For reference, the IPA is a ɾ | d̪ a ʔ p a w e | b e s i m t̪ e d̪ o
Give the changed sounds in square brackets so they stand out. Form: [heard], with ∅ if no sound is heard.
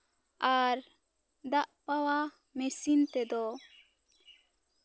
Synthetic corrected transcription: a ɾ | d̪ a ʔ p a w [a] | [m] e s i [n] t̪ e d̪ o